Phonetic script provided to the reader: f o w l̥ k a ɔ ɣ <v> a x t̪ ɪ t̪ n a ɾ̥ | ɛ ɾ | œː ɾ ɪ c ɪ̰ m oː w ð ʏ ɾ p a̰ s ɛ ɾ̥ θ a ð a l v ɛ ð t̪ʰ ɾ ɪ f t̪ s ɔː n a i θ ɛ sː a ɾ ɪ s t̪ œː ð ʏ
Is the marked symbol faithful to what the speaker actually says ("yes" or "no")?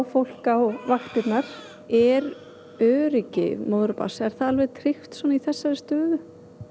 yes